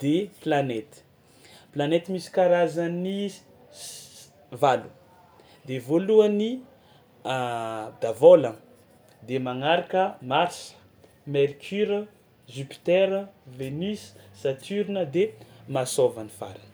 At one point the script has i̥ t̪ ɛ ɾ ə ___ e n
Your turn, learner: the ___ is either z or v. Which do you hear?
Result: v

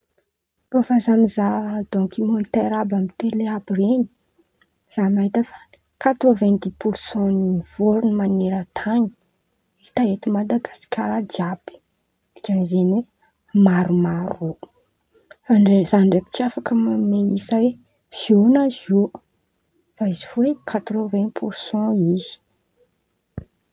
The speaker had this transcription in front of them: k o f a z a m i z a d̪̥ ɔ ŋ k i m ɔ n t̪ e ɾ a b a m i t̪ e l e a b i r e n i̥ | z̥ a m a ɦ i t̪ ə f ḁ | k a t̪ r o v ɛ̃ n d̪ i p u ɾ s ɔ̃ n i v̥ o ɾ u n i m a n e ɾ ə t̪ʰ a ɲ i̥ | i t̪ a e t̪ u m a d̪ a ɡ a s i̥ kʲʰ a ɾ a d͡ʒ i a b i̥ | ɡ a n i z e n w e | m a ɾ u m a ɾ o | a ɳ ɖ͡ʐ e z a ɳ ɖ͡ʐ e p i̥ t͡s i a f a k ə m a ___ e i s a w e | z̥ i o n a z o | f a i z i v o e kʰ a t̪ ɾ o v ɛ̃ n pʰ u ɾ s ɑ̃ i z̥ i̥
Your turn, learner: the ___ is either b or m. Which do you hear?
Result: m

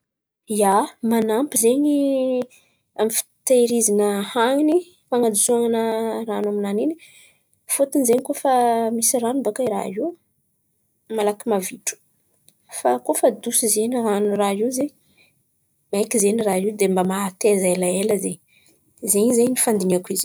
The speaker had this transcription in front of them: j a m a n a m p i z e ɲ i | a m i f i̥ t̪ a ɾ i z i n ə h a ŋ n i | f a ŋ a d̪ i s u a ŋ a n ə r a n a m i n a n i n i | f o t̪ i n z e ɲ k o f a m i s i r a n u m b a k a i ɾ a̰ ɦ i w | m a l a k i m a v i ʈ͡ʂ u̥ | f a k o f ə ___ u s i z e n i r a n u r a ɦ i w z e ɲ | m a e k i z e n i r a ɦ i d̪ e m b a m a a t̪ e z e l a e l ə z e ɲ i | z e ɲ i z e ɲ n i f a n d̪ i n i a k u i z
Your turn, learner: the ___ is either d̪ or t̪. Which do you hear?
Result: d̪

